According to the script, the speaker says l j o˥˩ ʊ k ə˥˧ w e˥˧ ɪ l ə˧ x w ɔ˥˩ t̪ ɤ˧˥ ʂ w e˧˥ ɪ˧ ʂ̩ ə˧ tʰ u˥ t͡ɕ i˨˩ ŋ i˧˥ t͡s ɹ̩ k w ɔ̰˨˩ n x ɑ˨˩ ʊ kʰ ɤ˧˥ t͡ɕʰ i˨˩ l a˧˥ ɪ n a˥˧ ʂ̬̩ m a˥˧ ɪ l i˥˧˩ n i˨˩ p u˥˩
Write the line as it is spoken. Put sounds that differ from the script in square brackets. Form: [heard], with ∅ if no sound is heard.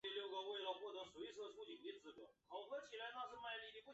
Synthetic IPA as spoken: l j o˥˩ ʊ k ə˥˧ w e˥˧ ɪ l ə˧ x w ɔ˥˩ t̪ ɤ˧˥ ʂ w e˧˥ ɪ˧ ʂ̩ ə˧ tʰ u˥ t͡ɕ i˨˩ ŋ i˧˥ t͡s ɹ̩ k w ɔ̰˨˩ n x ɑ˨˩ ʊ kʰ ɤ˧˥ t͡ɕʰ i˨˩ l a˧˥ ɪ n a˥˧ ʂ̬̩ m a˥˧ ɪ l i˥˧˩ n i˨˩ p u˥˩